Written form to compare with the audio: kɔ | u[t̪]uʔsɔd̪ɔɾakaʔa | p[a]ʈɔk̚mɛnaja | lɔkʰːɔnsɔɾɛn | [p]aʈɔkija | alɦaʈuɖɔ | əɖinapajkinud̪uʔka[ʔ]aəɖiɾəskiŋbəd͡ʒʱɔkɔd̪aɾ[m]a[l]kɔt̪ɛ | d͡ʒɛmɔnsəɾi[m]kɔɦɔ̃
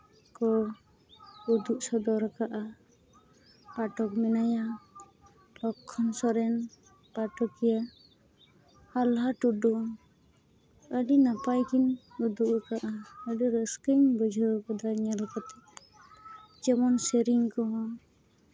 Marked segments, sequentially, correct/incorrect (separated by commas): incorrect, correct, correct, correct, incorrect, correct, incorrect